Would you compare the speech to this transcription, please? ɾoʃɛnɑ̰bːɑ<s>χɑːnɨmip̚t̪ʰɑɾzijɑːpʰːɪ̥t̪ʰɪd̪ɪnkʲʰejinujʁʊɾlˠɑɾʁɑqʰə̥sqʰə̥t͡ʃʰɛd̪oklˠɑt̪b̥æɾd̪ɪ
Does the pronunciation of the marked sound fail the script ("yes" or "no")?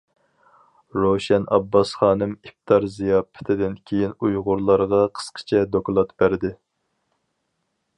no